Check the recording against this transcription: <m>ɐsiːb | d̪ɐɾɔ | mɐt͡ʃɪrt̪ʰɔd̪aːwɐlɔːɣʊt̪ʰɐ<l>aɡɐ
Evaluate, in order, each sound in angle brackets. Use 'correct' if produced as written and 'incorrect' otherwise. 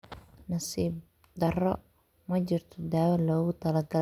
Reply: incorrect, correct

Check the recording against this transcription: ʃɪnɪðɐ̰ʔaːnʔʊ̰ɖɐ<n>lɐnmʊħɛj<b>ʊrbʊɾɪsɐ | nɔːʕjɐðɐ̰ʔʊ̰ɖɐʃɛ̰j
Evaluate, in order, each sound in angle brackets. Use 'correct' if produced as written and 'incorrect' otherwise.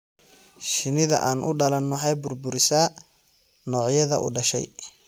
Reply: incorrect, correct

